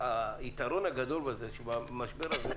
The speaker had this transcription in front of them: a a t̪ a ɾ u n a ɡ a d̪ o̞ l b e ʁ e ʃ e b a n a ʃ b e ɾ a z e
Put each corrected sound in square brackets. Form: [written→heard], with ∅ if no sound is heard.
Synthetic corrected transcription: a [a→i] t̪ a ɾ [u→o] n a ɡ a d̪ o̞ l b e [ʁ→z] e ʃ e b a [n→m] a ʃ b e ɾ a z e